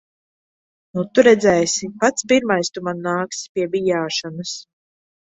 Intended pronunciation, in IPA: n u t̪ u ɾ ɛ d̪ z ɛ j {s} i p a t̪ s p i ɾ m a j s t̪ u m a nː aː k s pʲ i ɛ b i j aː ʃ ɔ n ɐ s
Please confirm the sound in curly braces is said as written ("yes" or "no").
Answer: yes